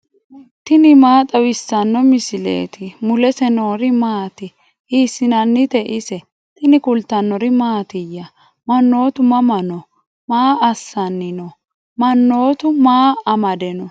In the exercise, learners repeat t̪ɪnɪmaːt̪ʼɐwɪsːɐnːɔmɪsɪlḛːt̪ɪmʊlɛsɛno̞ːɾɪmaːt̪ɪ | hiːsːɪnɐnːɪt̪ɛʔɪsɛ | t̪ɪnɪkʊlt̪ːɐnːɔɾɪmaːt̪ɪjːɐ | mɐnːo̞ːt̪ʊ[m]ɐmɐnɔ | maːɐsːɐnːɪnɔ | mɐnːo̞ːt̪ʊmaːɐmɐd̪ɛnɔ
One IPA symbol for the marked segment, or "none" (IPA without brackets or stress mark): m